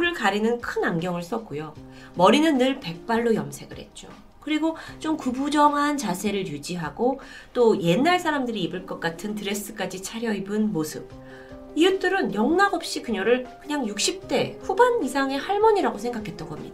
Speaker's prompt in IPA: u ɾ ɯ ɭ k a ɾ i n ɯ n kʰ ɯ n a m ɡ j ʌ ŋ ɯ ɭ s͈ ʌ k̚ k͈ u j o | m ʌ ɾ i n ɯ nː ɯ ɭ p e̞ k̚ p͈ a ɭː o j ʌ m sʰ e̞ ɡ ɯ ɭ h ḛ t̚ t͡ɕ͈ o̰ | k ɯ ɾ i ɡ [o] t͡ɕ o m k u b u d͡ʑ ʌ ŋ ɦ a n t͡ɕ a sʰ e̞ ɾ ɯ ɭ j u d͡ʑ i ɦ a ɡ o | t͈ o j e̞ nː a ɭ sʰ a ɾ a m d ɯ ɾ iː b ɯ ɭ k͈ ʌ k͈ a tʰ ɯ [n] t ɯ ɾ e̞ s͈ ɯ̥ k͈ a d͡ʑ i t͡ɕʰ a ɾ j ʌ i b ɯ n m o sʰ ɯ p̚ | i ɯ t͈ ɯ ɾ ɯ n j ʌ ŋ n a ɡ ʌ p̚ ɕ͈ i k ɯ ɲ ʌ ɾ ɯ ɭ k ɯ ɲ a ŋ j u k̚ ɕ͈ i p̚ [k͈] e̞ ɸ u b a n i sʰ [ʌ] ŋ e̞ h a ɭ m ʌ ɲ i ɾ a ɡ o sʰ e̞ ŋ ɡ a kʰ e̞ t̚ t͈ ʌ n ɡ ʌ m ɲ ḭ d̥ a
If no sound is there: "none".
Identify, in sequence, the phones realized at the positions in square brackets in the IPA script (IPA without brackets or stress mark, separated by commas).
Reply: o, n, t͈, a